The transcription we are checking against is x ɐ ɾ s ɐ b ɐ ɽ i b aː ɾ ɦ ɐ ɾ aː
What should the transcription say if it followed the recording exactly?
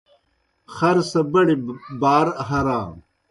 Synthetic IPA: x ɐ ɾ s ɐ b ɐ ɽ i b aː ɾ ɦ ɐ ɾ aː